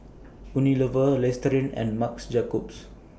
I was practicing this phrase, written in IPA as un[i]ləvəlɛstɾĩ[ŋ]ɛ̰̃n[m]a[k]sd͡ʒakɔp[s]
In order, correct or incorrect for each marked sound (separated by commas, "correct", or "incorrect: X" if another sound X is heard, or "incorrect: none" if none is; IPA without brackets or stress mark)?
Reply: correct, incorrect: n, correct, correct, correct